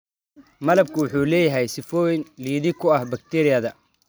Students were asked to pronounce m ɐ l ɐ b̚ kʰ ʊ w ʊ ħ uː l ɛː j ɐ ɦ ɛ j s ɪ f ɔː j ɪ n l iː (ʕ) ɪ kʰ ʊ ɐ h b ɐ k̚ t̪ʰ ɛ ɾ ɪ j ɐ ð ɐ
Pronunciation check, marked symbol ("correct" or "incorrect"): incorrect